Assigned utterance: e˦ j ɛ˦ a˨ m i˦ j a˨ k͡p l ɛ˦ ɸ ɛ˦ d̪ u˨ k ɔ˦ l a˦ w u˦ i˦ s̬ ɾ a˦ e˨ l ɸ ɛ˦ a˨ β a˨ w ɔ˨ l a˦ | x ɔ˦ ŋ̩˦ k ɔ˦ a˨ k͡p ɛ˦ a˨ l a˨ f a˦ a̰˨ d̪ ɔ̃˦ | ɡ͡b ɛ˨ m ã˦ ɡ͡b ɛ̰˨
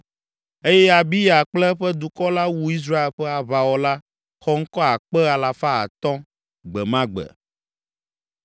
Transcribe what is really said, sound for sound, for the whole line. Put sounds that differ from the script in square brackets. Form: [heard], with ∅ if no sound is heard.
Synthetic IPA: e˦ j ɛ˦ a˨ [b] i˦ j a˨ k͡p l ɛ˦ ɸ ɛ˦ d̪ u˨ k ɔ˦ l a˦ w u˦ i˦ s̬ ɾ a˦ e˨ l ɸ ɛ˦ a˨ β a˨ w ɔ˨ l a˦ | x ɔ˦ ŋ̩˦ k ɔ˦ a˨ k͡p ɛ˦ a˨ l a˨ f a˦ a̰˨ [t̪] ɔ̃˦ | ɡ͡b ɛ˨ m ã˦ ɡ͡b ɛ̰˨